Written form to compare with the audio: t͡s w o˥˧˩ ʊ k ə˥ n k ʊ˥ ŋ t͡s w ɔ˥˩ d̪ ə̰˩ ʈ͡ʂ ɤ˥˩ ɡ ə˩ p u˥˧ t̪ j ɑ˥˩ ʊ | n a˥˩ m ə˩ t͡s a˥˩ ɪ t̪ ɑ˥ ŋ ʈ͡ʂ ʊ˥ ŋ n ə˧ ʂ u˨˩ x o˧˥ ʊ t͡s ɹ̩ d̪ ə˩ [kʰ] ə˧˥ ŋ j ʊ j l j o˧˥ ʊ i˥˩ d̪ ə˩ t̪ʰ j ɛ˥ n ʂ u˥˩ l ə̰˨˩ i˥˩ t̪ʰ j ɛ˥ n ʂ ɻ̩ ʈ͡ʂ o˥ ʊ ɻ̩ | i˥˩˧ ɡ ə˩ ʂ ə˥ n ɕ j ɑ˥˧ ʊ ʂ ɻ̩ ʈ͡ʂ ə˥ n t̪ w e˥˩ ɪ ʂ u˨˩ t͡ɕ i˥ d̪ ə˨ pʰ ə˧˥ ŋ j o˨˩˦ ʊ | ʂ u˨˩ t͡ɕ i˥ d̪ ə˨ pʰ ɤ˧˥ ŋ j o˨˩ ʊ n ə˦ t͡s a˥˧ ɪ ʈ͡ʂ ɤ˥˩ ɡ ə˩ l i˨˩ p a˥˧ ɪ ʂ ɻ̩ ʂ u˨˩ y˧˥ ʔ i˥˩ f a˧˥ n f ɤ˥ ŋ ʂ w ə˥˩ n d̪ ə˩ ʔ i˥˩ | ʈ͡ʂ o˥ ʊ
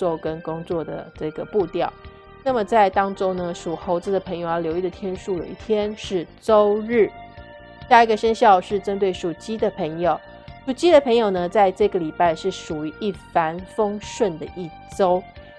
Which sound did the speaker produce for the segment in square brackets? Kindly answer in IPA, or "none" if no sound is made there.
pʰ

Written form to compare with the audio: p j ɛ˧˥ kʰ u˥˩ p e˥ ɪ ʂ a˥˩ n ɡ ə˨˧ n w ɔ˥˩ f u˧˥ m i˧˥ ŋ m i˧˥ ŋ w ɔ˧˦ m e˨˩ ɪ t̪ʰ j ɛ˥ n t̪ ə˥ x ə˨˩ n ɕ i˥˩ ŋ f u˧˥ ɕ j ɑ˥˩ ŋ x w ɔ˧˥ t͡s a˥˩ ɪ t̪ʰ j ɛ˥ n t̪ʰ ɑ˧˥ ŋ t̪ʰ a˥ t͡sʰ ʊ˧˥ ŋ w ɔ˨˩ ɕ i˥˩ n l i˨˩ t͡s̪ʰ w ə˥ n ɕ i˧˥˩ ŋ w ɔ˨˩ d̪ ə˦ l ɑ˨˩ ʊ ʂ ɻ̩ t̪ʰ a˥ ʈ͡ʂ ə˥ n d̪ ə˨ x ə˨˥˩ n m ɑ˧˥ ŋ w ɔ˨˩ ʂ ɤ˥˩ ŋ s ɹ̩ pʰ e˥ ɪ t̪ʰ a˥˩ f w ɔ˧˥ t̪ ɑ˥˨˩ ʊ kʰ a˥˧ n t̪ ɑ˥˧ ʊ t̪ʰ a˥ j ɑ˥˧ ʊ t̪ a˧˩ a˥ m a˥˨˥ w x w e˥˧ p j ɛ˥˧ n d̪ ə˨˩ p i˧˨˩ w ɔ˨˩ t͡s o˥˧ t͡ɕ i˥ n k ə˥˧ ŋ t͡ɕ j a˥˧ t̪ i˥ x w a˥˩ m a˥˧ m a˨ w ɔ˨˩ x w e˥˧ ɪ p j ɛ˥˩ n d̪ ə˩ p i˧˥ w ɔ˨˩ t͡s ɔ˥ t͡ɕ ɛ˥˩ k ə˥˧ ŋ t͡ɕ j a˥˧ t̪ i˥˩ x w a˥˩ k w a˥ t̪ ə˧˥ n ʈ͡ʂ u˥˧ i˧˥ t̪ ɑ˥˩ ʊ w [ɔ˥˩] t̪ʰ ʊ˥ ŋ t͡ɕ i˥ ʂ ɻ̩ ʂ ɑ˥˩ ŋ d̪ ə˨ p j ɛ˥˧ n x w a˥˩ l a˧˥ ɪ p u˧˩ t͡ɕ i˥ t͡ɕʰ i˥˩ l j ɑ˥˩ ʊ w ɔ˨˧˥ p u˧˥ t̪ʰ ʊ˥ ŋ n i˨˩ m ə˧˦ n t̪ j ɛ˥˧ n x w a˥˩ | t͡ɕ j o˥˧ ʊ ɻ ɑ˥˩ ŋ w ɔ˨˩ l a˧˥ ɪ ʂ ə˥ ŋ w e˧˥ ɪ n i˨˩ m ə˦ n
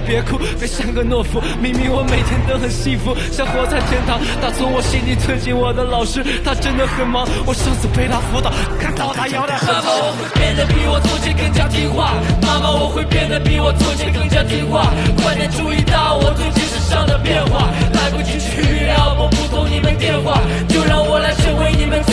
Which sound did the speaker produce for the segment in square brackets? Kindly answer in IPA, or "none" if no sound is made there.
ɔ˨˩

